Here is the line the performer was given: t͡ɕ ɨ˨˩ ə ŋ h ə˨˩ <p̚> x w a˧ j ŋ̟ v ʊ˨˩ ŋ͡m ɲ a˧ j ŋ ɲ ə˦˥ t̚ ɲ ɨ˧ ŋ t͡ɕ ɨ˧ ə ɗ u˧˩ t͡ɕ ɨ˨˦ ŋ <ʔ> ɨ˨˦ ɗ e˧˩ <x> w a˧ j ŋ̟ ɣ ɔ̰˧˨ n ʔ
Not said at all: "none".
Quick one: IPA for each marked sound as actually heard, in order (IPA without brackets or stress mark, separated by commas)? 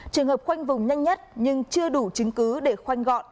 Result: p̚, k, x